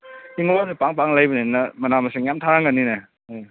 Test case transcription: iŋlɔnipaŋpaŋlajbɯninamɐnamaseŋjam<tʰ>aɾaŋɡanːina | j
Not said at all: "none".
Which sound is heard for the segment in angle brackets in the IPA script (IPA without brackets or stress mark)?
tʰ